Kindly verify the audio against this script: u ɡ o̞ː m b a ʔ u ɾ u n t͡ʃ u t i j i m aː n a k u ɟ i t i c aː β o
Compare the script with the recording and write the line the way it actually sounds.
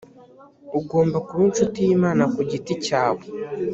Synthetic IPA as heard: u ɡ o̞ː m b a k u ɾ u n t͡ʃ u t i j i m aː n a k u ɟ i t i c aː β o